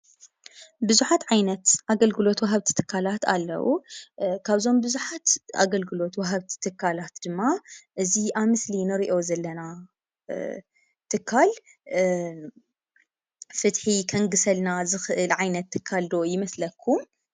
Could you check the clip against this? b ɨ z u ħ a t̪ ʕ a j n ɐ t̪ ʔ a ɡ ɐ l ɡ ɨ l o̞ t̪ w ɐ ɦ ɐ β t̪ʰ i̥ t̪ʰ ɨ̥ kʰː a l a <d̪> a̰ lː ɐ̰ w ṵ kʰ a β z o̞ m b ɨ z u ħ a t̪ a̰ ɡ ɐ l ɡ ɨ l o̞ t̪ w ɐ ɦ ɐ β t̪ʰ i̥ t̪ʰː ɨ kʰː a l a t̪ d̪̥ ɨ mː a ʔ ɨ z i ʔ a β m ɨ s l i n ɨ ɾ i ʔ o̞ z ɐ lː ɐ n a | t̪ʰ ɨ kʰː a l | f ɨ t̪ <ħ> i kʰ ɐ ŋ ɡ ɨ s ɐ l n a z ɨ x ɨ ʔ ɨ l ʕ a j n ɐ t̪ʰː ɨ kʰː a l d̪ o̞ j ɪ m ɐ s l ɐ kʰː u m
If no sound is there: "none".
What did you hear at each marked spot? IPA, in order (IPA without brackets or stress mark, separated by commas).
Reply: t̪, ħ